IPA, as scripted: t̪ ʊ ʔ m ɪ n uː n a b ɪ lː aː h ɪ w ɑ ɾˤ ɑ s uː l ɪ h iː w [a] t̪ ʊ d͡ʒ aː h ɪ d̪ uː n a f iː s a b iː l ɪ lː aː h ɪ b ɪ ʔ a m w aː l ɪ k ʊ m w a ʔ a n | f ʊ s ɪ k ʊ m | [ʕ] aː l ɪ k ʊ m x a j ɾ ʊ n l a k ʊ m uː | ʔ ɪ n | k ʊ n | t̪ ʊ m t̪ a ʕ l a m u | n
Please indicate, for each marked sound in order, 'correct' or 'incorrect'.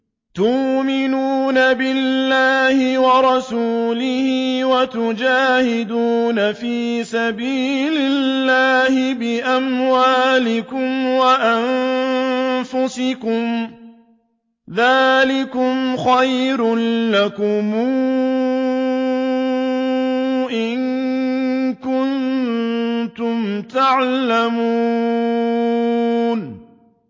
correct, incorrect: ð

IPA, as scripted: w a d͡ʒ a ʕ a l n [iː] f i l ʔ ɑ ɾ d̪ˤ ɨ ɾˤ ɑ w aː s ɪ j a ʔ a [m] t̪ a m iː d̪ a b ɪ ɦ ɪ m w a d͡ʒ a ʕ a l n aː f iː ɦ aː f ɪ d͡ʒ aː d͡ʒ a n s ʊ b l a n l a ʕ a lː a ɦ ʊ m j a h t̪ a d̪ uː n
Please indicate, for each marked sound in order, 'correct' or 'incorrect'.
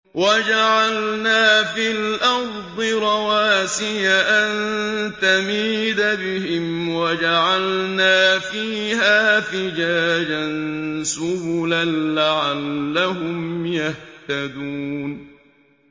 incorrect: aː, incorrect: n

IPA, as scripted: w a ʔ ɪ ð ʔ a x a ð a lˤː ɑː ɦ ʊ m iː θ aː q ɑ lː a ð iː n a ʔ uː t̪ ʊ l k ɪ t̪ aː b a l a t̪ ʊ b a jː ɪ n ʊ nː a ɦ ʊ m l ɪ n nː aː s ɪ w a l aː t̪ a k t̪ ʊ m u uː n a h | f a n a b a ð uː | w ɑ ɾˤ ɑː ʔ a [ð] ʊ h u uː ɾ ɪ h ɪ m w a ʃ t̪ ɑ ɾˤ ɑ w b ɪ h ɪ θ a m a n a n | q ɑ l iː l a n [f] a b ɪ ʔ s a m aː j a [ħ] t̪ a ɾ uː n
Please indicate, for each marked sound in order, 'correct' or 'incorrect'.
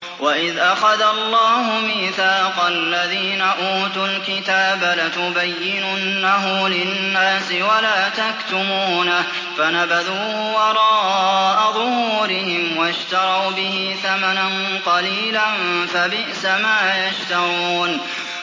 correct, correct, incorrect: ʃ

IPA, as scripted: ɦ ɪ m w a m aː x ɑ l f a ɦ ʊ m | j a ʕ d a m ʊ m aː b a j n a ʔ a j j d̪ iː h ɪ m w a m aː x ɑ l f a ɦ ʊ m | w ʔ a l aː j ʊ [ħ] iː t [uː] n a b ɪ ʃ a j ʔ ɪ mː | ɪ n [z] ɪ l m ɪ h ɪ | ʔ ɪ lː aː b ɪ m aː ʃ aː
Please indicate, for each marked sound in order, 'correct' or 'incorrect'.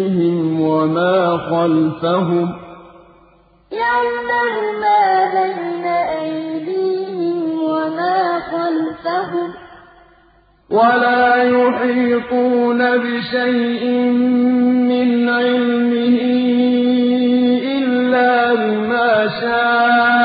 correct, correct, incorrect: ʕ

